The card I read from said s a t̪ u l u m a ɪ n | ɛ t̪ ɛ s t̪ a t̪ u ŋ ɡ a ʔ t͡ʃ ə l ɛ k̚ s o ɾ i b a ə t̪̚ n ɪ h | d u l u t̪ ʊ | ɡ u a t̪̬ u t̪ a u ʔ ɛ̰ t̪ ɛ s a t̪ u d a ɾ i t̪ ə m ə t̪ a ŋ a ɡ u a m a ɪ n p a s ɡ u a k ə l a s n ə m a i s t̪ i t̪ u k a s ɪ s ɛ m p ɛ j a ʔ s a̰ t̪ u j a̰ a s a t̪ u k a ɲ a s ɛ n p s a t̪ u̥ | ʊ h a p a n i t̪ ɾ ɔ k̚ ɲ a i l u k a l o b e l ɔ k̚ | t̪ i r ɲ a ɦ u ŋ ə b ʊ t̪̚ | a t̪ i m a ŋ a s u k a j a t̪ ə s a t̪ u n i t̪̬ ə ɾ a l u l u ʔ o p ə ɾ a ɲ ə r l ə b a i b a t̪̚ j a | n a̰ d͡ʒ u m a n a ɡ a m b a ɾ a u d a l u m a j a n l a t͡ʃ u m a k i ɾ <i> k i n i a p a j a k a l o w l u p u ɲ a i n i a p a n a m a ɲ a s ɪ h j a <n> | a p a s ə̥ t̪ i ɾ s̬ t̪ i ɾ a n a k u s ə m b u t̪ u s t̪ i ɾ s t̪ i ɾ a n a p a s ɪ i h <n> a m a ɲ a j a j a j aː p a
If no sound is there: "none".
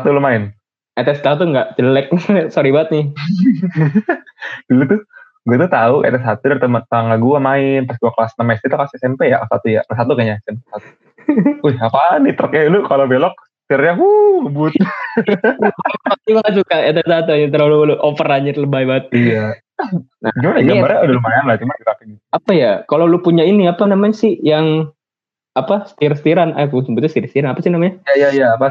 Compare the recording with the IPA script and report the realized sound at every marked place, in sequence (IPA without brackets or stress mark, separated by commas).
a, ŋ, n